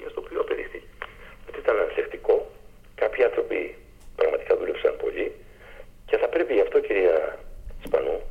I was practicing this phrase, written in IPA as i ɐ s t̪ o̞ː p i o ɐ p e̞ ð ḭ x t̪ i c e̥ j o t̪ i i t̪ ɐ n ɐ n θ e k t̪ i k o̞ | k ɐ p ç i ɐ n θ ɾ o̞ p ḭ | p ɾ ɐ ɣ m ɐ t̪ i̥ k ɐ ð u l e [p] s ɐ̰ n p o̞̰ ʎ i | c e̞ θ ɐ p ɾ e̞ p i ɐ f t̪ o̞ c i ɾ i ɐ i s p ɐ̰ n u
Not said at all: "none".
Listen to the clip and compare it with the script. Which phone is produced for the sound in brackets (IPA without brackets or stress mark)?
p